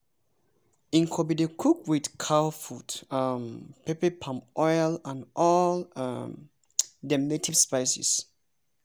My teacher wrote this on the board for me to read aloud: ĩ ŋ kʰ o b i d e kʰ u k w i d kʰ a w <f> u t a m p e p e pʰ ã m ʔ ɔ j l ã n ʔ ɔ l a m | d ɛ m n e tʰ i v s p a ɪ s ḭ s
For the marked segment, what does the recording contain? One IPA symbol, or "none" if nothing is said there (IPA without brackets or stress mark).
f